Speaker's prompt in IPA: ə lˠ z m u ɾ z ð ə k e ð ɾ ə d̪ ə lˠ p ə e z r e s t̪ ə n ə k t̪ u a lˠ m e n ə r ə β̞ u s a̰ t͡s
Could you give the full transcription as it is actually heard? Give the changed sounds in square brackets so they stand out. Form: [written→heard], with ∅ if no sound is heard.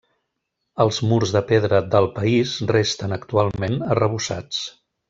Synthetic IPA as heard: ə lˠ z m u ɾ z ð ə [k→p] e ð ɾ ə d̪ ə lˠ p ə [e→i] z r e s t̪ ə n ə k t̪ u a lˠ m e n ə r ə β̞ u s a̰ t͡s

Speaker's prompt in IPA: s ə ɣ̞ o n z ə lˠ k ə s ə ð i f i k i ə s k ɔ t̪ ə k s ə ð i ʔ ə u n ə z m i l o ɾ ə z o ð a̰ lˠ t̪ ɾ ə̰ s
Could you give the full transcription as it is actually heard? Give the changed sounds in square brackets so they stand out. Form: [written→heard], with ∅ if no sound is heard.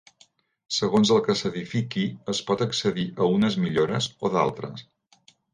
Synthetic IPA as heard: s ə ɣ̞ o n z ə lˠ k ə s ə ð i f i k i ə s [k→p] ɔ t̪ ə k s ə ð i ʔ ə u n ə z m i [l→ʎ] o ɾ ə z o ð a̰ lˠ t̪ ɾ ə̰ s

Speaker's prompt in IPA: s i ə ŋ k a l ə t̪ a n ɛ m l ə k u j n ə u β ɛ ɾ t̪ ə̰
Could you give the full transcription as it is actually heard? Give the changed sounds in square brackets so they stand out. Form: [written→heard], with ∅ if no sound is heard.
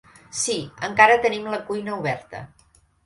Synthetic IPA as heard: s i ə ŋ k a [l→ɾ] ə t̪ [a→ə] n [ɛ→i] m l ə k u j n ə u β ɛ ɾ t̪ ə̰

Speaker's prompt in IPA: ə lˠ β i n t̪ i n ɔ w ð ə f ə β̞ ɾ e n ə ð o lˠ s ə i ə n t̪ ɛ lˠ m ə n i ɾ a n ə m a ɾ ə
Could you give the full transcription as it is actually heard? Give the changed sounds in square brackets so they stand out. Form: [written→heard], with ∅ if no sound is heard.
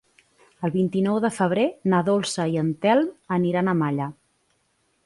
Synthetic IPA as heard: ə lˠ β i n t̪ i n ɔ w ð ə f ə β̞ ɾ e n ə ð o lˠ s ə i ə n t̪ ɛ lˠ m ə n i ɾ a n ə m a [ɾ→ʎ] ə

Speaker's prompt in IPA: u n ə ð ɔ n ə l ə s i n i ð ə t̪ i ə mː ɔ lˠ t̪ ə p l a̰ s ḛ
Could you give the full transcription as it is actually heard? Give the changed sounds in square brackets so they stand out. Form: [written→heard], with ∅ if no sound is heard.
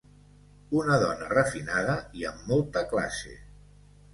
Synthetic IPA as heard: u n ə ð ɔ n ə [l→r] ə [s→f] i n [i→a] ð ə [t̪→∅] i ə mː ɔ lˠ t̪ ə [p→k] l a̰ s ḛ

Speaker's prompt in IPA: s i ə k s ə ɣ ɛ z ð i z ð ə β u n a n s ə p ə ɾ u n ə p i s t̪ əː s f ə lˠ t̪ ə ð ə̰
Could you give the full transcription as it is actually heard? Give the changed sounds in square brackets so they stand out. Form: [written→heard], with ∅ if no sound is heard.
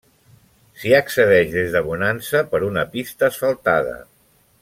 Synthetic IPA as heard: s i ə k s ə [ɣ→ð] ɛ [z→ʒ] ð [i→e] z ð ə β u n a n s ə p ə ɾ u n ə p i s t̪ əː s f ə lˠ t̪ [ə→a] ð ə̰

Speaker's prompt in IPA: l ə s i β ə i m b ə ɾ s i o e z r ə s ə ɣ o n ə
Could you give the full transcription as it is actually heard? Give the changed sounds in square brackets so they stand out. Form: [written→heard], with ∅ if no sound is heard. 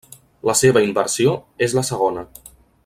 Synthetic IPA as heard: l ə s [i→e] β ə i m b ə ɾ s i o e z [r→l] ə s ə ɣ o n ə

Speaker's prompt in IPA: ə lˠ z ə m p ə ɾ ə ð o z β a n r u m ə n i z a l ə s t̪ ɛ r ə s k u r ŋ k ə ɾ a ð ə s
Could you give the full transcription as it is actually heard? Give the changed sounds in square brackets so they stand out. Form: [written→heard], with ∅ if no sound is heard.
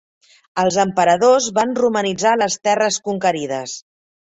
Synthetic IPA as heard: ə lˠ z ə m p ə ɾ ə ð o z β a n r u m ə n i [z→d͡z] a l ə s t̪ ɛ r ə s k u [r→∅] ŋ k ə ɾ [a→i] ð ə s

